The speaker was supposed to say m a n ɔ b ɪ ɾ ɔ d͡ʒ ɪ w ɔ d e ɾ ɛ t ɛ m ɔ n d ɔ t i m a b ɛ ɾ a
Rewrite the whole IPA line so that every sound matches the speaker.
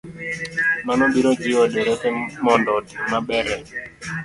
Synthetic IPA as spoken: m a n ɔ b i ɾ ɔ d͡ʒ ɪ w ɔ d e ɾ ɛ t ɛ m ɔ n d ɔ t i m a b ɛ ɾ ɛ